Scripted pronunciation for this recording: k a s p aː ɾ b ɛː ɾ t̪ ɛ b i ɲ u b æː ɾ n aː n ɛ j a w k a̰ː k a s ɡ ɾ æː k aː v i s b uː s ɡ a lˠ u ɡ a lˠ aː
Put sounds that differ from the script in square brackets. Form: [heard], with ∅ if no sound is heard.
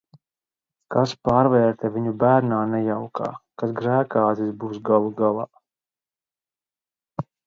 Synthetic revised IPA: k a s p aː ɾ [v] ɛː ɾ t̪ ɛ [v] i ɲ u b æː ɾ n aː n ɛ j a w k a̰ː k a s ɡ ɾ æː k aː [z] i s b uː s ɡ a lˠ u ɡ a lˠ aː